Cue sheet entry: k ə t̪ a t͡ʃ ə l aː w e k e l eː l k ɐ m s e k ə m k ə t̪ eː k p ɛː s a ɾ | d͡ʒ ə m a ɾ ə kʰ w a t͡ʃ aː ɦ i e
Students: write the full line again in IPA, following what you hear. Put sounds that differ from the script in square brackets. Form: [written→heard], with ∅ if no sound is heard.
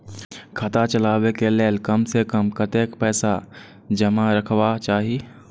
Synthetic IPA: [k→kʰ] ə t̪ a t͡ʃ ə l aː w e k e l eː l k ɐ m s e k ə m k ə t̪ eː k p ɛː s a [ɾ→∅] | d͡ʒ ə m a ɾ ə kʰ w a t͡ʃ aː ɦ i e

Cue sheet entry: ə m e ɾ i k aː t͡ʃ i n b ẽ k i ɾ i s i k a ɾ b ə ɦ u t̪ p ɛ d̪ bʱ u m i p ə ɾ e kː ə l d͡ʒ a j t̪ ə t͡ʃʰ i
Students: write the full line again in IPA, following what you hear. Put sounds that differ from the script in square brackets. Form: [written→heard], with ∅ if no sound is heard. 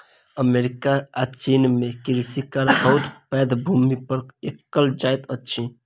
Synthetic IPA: ə m e ɾ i k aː t͡ʃ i n [b→m] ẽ k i ɾ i s i k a ɾ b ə ɦ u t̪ p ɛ d̪ bʱ u m i p ə ɾ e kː ə l d͡ʒ a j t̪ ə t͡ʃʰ i

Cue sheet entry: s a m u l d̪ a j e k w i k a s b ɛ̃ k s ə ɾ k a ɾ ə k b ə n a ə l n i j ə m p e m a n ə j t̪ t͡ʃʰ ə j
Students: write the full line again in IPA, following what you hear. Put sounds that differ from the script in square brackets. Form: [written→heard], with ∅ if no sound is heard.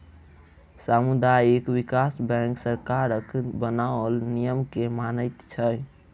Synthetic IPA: s a m u [l→∅] d̪ a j e k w i k a s b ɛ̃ k s ə ɾ k a ɾ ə k b ə n a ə l n i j ə m [p→k] e m a n ə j t̪ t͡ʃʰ ə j

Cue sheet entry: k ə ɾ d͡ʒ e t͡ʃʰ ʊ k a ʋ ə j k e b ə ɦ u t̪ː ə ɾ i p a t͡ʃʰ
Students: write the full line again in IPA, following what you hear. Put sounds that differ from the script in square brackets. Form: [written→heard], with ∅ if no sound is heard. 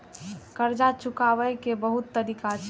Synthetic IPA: k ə ɾ d͡ʒ [e→a] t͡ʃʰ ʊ k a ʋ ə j k e b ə ɦ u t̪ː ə ɾ i [p→k] a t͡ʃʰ

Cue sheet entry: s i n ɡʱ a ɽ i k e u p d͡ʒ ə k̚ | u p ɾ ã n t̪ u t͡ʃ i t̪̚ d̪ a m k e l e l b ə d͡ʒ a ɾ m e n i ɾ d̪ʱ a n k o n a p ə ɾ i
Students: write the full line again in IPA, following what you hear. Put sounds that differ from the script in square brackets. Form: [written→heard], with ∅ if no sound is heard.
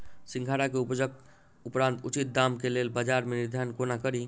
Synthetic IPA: s i [n→ŋ] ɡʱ a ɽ [i→a] k e u p d͡ʒ ə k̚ | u p ɾ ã n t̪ u t͡ʃ i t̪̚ d̪ a m k e l e l b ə d͡ʒ a ɾ m e n i ɾ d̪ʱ a n k o n a [p→k] ə ɾ i

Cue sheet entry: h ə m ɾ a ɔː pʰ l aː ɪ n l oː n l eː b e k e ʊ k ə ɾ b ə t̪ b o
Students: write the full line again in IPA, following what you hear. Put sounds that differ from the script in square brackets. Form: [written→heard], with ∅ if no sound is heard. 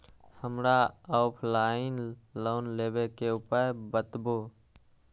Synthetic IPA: h ə m ɾ a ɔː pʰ l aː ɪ n l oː n l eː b e k e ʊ [k→p] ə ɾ b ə t̪ b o

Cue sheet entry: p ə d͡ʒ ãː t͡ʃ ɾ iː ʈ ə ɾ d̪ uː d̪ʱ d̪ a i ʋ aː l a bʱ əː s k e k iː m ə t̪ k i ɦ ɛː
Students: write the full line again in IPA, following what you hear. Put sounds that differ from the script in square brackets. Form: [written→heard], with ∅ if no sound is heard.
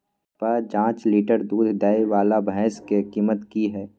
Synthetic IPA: p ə d͡ʒ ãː t͡ʃ [ɾ→l] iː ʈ ə ɾ d̪ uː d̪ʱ d̪ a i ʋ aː l a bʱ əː s k e k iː m ə t̪ k i ɦ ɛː

